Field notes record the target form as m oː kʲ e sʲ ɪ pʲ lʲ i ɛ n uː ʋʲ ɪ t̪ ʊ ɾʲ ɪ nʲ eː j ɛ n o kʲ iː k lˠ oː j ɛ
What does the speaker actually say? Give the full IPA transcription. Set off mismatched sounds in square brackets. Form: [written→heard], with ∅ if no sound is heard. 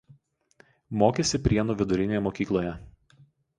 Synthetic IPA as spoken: m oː kʲ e sʲ ɪ pʲ [lʲ→ɾʲ] i ɛ n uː ʋʲ ɪ [t̪→d̪] ʊ ɾʲ ɪ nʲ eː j ɛ [n→m] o kʲ iː k lˠ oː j ɛ